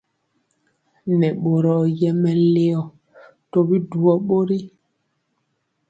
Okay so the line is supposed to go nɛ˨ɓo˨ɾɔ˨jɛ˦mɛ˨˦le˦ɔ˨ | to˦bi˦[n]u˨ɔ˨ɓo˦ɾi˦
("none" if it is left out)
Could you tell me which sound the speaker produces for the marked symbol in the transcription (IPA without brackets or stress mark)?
d